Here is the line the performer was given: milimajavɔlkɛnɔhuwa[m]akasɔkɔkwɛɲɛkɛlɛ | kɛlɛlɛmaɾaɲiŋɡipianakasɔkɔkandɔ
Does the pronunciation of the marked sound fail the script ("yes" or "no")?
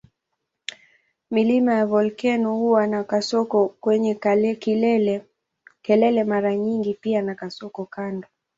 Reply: yes